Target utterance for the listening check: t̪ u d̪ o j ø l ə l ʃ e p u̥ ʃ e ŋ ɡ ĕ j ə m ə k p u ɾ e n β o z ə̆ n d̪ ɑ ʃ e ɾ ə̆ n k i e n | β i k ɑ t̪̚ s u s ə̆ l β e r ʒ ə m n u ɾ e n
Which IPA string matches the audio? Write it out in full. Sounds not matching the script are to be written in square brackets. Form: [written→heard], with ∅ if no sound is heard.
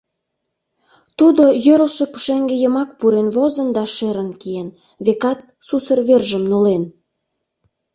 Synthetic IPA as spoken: t̪ u d̪ o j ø [l→ɾ] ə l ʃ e p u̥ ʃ e ŋ ɡ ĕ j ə m [ə→ɑ] k p u ɾ e n β o z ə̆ n d̪ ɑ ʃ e ɾ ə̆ n k i e n | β [i→e] k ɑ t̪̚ s u s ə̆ [l→r] β e r ʒ ə m n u [ɾ→l] e n